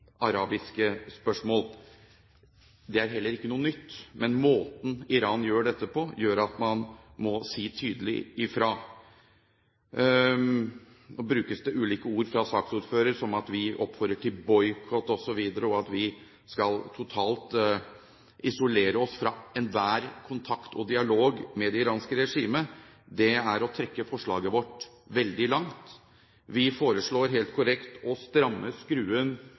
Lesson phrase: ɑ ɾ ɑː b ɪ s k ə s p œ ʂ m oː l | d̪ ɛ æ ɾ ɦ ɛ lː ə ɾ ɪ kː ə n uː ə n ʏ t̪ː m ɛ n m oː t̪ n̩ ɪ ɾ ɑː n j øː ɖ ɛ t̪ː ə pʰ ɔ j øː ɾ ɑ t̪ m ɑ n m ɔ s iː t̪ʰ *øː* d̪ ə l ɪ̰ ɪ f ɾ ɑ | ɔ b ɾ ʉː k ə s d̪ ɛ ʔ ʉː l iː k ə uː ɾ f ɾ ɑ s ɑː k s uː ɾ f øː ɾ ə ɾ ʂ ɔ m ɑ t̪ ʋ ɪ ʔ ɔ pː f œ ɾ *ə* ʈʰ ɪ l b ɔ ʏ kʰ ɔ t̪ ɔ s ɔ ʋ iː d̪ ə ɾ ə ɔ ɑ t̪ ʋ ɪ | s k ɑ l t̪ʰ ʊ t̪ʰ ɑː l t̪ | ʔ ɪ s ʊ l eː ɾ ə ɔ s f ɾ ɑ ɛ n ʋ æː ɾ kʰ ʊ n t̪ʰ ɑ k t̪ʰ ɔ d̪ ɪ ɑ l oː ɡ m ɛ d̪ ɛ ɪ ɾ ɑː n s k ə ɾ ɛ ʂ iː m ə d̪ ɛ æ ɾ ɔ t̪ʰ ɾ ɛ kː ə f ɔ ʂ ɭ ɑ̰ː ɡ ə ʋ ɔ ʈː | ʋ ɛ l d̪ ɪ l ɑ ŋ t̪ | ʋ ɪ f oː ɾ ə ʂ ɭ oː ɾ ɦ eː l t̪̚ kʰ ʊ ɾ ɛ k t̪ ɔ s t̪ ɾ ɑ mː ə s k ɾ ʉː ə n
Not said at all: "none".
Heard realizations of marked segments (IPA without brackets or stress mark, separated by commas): yː, ə